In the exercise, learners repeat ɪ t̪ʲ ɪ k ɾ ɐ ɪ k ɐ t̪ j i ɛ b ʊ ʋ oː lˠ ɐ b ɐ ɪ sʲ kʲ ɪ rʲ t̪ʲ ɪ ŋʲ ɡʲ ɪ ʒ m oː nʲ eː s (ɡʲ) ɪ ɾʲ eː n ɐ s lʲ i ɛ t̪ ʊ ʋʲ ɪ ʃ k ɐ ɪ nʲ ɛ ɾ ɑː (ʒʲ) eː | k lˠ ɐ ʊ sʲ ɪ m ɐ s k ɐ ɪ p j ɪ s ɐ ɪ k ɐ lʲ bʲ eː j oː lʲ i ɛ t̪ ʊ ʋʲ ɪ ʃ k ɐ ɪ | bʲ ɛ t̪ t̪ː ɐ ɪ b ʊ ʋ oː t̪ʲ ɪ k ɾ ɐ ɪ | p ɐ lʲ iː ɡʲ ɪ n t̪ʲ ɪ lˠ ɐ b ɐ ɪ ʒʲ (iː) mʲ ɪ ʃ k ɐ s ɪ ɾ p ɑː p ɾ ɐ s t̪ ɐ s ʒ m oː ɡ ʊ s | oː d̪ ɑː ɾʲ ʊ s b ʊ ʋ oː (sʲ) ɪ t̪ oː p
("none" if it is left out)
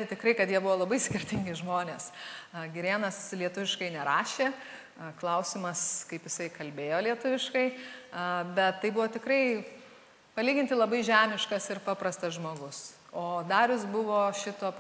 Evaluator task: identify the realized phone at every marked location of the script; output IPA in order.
ɡʲ, ʃʲ, æː, ʃʲ

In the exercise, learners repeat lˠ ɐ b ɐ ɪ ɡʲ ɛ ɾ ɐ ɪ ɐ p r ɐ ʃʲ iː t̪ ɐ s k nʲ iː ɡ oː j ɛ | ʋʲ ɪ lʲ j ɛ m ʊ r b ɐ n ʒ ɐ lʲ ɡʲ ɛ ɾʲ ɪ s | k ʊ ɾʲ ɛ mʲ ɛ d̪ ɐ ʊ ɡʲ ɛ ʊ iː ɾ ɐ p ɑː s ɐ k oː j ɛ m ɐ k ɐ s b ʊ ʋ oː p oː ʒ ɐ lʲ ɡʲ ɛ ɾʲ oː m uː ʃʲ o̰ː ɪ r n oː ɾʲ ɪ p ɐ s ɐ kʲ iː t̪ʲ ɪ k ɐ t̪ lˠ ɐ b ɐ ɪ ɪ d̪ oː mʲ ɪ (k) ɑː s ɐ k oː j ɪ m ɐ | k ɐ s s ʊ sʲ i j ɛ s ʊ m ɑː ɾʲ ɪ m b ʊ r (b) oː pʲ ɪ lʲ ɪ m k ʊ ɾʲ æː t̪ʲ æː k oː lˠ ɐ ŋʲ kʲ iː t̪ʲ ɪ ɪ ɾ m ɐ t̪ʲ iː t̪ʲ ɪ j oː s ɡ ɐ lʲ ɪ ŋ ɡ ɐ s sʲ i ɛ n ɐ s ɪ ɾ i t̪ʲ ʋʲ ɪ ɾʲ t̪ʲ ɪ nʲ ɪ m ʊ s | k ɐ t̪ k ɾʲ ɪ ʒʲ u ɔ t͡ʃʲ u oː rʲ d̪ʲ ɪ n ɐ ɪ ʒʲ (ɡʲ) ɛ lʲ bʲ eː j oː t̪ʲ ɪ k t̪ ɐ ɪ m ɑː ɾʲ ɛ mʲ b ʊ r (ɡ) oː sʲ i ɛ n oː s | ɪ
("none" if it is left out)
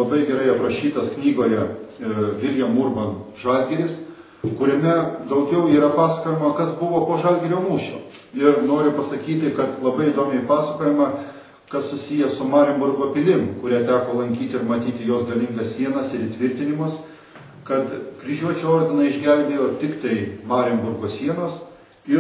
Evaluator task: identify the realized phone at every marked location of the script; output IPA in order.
p, ɡ, ɡʲ, ɡ

